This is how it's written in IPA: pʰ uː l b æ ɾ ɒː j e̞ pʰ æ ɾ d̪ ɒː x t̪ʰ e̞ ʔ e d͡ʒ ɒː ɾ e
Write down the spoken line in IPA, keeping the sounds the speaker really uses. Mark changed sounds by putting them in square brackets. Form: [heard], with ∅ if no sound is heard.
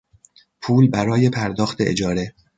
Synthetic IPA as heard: pʰ uː l b æ ɾ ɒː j e̞ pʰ æ ɾ d̪ ɒː x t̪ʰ e̞ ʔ e d͡ʒ ɒː ɾ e